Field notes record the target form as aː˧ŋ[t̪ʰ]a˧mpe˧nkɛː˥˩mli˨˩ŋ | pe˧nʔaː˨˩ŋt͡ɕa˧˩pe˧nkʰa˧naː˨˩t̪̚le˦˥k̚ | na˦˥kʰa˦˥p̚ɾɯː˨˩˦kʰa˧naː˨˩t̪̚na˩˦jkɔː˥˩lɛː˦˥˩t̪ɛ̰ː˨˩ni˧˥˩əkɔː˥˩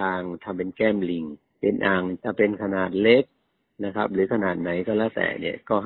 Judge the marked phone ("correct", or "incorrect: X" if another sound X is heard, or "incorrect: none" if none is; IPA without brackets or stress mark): correct